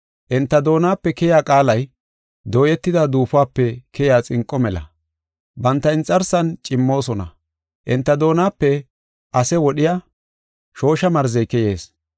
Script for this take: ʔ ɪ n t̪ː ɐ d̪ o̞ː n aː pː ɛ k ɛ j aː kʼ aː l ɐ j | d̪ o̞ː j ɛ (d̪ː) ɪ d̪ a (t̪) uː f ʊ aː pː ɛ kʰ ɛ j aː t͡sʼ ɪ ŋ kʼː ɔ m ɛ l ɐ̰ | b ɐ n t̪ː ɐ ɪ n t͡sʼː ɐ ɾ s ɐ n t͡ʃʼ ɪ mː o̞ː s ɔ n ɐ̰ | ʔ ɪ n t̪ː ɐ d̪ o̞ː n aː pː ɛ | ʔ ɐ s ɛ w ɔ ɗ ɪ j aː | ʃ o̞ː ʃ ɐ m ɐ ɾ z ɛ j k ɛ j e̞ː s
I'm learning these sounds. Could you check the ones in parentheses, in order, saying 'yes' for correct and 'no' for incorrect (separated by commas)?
no, no